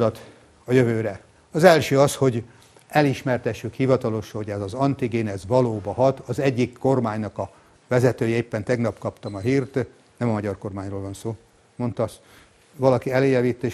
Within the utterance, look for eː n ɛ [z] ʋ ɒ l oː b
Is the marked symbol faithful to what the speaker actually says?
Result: yes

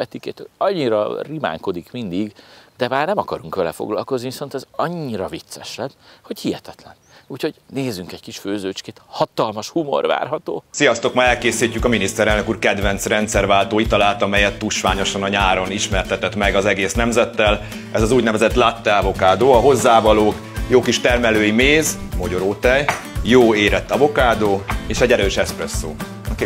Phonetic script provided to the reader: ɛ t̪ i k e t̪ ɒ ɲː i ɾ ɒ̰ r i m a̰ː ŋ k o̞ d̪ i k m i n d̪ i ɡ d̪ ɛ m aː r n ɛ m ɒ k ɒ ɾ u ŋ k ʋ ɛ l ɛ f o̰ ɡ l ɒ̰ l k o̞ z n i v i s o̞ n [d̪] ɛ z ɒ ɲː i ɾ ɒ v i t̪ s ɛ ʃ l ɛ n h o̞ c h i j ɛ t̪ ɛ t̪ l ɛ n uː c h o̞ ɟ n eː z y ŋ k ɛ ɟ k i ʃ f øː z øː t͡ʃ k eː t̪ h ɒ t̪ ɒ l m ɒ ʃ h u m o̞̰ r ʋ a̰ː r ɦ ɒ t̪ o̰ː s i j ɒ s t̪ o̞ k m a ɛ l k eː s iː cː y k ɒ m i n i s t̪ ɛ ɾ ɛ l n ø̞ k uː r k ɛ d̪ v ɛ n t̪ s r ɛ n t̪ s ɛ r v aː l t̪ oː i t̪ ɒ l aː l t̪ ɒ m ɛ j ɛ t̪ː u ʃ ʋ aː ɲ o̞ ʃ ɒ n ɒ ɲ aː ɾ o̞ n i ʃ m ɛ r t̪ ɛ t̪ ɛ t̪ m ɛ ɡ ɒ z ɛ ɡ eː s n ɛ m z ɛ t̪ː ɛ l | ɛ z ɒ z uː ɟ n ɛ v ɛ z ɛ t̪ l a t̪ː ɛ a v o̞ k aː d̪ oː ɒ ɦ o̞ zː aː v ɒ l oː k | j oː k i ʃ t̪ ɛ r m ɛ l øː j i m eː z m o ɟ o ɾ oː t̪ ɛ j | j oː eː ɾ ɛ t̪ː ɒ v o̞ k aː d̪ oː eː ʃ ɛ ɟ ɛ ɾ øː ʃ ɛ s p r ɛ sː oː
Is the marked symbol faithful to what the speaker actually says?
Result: no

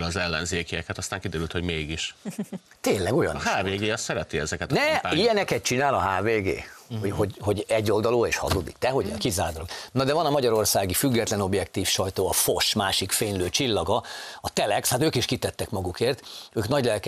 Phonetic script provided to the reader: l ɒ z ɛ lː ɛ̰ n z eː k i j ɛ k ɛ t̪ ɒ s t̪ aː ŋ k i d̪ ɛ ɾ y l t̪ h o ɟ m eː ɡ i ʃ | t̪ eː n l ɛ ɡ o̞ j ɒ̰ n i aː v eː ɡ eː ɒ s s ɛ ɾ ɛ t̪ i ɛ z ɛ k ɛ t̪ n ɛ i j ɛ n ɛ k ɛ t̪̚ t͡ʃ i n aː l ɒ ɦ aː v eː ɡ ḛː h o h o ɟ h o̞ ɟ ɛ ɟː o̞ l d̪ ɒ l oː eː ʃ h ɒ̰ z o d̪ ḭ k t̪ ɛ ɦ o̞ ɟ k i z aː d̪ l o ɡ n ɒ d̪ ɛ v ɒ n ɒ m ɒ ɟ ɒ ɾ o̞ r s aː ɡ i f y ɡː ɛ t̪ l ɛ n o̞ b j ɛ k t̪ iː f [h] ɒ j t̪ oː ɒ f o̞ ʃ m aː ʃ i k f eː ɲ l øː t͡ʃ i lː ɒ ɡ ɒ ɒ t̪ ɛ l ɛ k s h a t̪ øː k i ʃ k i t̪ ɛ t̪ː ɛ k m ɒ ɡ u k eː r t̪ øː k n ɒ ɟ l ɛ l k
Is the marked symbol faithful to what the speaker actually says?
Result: no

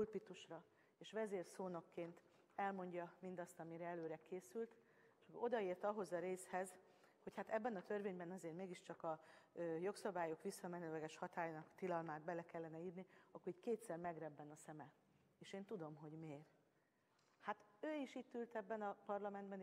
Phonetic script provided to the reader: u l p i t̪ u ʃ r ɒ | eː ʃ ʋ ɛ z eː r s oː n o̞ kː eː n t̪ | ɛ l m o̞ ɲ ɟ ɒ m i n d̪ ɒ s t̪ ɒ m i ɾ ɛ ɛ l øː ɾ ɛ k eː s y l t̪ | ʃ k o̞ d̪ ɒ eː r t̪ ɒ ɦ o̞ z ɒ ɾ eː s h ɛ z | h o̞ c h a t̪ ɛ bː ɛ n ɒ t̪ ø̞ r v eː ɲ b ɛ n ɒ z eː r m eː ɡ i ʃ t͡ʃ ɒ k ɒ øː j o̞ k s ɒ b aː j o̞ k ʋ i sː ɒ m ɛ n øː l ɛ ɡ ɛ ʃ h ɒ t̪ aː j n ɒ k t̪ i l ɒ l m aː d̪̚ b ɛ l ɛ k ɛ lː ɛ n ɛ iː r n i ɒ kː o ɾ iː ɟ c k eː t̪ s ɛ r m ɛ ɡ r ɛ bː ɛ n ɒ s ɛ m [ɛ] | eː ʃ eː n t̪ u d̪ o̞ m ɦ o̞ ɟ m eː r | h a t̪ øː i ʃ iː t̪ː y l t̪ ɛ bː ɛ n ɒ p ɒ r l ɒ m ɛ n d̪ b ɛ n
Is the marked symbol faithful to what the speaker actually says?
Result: yes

